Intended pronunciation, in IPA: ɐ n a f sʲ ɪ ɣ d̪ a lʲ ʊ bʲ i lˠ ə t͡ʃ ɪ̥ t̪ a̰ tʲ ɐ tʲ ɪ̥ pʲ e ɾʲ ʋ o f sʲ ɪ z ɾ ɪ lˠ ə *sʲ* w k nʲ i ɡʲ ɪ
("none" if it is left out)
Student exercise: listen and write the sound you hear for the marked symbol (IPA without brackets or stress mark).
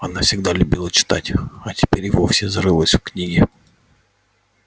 sʲ